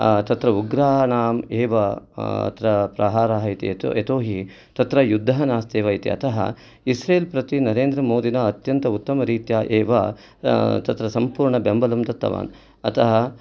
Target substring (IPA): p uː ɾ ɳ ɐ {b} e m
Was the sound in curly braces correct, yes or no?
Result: yes